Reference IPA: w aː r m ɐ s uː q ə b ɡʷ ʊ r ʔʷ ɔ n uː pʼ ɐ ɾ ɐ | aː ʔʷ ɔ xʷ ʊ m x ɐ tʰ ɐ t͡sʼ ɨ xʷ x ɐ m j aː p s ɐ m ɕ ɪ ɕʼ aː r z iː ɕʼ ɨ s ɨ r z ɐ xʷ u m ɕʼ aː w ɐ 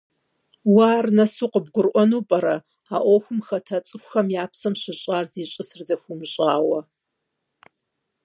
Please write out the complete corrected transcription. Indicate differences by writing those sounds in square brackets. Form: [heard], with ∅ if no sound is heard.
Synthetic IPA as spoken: w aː r [n] ɐ s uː q ə b ɡʷ ʊ r ʔʷ ɔ n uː pʼ ɐ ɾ ɐ | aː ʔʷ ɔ xʷ ʊ m x ɐ tʰ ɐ t͡sʼ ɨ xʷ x ɐ m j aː p s ɐ m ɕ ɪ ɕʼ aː r z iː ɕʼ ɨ s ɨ r z ɐ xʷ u m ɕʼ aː w ɐ